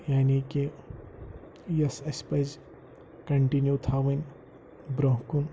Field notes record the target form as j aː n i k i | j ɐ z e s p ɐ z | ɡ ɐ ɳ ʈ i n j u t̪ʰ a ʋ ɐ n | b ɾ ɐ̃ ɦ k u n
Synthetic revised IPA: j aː n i k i | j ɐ s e s p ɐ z | k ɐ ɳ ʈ i n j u t̪ʰ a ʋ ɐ n | b ɾ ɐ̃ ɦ k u n